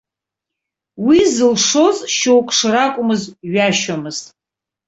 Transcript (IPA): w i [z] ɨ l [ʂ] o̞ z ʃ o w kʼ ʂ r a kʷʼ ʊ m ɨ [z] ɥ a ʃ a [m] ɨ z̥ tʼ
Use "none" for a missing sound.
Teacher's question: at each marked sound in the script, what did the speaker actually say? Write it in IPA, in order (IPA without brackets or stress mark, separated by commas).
z, ʂ, z, m